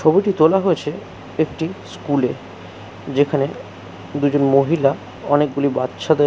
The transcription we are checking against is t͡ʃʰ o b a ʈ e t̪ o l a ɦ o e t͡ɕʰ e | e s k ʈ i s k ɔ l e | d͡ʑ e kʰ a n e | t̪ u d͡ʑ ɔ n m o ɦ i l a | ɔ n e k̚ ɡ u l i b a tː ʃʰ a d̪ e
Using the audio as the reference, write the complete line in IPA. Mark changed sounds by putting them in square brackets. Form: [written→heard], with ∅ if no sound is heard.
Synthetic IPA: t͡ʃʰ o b [a→i] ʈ [e→i] t̪ o l a ɦ o e t͡ɕʰ e | e [s→∅] k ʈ i s k [ɔ→u] l e | d͡ʑ e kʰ a n e | [t̪→d̪] u d͡ʑ [ɔ→o] n m o ɦ i l a | ɔ n e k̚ ɡ u l i b a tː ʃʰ a d̪ e